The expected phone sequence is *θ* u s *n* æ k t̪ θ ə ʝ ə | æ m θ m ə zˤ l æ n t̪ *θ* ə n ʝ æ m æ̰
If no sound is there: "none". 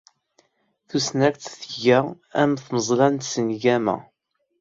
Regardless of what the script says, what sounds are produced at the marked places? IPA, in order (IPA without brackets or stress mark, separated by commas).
θ, n, s